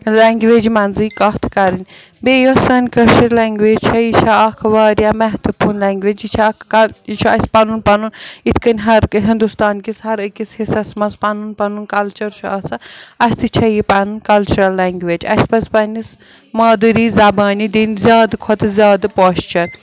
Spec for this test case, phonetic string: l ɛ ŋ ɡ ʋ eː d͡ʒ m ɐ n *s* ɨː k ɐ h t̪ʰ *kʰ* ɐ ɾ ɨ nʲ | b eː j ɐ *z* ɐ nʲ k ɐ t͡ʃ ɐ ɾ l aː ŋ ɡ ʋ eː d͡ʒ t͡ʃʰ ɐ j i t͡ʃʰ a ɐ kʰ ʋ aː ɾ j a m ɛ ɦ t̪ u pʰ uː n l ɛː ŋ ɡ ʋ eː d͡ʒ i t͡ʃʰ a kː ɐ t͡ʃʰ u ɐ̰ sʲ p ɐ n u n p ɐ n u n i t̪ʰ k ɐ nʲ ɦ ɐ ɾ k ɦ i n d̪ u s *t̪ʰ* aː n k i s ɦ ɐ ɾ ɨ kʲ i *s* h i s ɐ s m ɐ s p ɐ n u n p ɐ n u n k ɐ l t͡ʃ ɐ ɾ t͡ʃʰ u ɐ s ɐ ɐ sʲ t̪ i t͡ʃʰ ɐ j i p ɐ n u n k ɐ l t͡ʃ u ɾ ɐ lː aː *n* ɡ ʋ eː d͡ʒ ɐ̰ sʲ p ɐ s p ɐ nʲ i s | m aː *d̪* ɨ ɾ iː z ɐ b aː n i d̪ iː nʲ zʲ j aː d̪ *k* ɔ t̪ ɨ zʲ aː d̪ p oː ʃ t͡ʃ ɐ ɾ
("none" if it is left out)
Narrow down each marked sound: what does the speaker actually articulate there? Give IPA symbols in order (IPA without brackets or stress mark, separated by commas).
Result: z, k, s, t̪, s, ŋ, d̪, kʰ